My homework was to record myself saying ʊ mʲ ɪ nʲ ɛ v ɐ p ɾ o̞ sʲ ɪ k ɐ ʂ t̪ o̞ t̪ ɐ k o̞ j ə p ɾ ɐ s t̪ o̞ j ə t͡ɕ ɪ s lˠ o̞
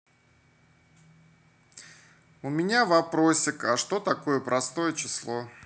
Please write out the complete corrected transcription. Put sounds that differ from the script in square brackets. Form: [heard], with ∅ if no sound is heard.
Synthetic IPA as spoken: ʊ mʲ ɪ nʲ [a] v ɐ p ɾ o̞ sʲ ɪ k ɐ ʂ t̪ o̞ t̪ ɐ k o̞ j ə p ɾ ɐ s t̪ o̞ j ə t͡ɕ ɪ s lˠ o̞